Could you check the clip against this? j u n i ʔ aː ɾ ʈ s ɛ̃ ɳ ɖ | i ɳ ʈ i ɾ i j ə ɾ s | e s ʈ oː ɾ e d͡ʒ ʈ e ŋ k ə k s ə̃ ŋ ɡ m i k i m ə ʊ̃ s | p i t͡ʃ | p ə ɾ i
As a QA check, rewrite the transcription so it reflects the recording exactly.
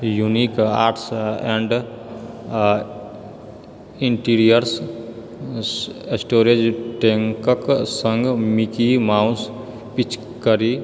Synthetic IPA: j u n i k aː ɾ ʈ s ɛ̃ ɳ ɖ | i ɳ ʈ i ɾ i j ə ɾ s | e s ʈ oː ɾ e d͡ʒ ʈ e ŋ k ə k s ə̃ ŋ ɡ m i k i m a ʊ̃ s | p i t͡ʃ | k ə ɾ i